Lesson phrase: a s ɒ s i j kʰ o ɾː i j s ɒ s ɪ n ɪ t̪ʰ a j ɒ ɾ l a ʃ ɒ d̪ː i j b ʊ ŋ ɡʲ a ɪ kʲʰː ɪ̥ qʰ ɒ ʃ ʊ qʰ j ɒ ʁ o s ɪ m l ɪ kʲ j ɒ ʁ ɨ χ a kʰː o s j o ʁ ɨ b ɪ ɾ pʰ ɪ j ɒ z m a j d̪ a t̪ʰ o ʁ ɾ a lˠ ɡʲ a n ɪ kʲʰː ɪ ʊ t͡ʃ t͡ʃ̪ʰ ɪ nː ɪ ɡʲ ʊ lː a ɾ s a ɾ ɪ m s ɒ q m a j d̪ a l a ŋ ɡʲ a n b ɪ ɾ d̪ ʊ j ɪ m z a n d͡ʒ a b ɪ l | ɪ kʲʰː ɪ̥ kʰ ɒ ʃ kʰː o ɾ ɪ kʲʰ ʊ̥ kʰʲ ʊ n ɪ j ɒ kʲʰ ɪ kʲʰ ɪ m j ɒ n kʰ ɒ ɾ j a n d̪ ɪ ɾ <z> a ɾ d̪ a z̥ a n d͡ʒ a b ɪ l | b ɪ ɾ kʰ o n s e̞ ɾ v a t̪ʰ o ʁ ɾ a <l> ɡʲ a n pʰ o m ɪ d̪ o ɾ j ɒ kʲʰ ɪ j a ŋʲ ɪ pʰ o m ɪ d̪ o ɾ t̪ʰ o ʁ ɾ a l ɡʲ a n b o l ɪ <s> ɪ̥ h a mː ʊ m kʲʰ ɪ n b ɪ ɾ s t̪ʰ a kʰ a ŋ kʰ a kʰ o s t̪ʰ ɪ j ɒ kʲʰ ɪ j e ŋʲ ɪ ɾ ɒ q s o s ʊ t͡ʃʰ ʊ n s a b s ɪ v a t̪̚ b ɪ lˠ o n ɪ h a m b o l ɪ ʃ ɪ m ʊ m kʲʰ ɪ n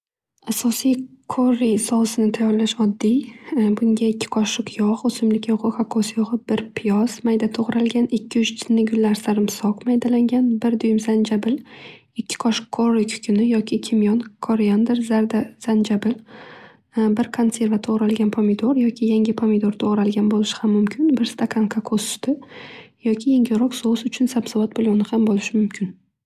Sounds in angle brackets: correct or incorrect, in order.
correct, correct, incorrect: ʃ

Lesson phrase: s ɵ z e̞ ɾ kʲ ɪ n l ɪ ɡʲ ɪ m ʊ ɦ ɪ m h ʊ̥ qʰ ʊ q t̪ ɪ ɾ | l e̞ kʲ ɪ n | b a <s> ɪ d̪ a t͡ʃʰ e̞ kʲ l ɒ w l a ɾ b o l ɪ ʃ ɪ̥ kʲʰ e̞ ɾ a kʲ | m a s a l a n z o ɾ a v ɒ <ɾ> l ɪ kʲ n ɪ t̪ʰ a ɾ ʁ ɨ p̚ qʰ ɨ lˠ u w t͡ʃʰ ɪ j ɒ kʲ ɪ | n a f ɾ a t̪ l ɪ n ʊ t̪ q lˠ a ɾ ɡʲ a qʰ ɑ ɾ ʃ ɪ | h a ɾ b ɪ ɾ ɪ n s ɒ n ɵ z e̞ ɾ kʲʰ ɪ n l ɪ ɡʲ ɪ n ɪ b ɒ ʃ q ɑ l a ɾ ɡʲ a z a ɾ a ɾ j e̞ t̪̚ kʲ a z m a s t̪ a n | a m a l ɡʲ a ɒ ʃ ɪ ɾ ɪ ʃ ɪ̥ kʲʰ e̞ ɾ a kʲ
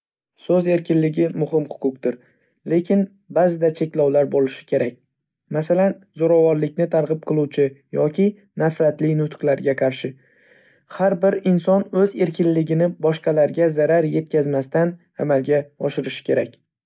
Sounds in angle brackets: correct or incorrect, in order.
incorrect: z, correct

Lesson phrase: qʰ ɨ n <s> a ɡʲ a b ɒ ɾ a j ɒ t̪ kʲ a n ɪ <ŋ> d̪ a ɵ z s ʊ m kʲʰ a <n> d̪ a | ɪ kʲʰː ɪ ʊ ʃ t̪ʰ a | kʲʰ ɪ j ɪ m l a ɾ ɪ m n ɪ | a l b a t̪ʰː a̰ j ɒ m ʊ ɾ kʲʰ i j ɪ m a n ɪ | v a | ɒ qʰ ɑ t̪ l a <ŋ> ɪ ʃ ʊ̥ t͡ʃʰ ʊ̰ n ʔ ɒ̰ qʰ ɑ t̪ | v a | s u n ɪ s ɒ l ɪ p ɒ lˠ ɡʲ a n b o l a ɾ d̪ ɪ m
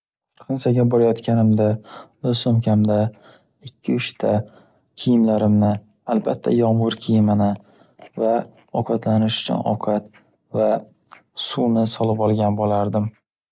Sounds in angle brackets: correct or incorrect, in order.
correct, incorrect: m, incorrect: m, incorrect: n

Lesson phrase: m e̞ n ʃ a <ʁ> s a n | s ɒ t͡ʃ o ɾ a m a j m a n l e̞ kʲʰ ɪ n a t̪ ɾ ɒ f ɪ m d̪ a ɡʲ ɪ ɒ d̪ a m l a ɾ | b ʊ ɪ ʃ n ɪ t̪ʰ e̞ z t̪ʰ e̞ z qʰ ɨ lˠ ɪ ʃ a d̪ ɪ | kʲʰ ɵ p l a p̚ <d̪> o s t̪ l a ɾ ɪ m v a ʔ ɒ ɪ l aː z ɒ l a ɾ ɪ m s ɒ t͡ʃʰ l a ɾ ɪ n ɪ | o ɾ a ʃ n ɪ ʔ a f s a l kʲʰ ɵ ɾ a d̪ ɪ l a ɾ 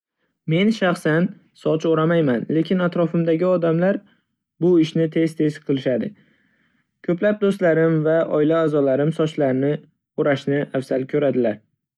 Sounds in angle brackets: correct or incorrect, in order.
incorrect: χ, correct

